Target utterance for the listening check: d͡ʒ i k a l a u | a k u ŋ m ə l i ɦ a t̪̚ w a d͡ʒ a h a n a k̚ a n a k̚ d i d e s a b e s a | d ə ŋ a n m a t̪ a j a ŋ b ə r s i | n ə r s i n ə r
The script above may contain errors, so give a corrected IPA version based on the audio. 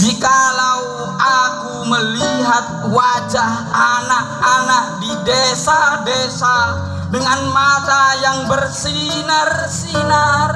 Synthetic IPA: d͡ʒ i k a l a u | a k u m ə l i ɦ a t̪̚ w a d͡ʒ a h a n a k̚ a n a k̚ d i d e s a d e s a | d ə ŋ a n m a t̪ a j a ŋ b ə r s i | n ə r s i n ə r